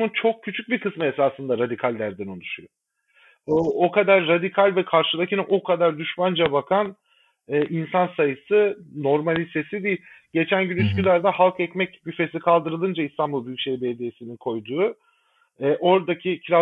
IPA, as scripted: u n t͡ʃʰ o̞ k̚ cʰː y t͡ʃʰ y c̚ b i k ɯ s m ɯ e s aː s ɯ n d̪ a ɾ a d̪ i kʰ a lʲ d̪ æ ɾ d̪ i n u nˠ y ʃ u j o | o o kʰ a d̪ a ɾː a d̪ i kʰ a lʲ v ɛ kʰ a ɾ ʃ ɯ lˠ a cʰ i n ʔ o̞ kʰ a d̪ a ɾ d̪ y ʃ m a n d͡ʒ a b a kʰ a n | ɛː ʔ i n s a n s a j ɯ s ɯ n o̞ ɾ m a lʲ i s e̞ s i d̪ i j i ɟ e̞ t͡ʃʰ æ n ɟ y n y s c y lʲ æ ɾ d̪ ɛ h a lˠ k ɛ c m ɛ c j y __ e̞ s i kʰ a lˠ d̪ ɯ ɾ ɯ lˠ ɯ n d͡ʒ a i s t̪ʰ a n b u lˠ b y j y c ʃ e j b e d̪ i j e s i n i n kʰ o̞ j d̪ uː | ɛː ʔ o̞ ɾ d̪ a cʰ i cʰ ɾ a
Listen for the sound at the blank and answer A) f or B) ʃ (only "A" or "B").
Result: A